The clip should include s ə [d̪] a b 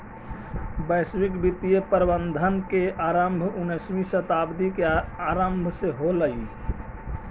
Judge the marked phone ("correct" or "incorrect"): incorrect